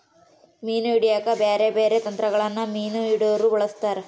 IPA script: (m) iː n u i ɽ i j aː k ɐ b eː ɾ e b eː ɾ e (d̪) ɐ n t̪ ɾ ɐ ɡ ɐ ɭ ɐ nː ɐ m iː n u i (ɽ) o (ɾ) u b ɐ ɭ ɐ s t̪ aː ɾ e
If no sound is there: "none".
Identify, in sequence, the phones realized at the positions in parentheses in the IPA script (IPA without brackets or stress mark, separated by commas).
m, t̪, ɽ, ɾ